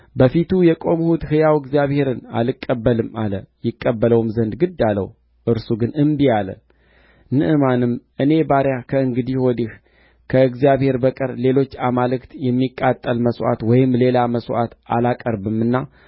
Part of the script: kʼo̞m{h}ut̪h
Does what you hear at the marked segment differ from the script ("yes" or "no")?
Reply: no